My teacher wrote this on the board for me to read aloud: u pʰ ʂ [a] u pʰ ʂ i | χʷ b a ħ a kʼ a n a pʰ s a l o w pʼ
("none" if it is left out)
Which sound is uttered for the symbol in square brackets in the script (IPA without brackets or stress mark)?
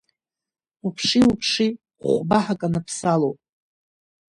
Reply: i